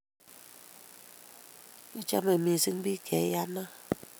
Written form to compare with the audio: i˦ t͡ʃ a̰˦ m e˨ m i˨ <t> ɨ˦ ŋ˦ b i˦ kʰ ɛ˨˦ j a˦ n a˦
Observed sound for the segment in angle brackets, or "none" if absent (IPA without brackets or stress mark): s